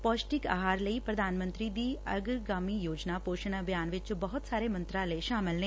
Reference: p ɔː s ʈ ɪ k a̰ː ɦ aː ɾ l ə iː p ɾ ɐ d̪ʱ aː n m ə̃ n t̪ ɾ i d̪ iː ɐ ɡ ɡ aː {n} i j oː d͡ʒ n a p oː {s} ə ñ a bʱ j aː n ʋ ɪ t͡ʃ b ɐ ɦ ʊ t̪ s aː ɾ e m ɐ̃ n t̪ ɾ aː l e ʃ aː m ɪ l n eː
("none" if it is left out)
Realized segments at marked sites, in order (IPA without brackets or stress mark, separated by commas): m, ʃ